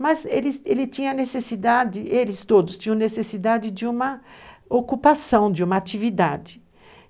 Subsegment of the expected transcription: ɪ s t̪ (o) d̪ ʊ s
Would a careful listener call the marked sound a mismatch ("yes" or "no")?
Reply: no